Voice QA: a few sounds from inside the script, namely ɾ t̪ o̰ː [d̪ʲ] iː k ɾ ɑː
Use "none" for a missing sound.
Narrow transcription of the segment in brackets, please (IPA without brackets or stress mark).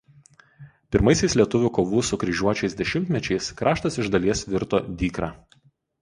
d̪ʲ